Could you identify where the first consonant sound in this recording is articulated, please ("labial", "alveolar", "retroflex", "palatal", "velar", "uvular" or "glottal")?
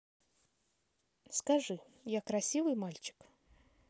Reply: alveolar